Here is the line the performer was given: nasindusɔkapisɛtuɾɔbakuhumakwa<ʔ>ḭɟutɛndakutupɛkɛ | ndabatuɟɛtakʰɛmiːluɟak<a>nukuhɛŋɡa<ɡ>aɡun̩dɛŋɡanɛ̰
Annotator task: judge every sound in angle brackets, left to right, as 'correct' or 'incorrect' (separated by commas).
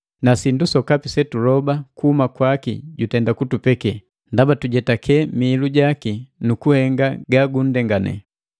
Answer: incorrect, incorrect, correct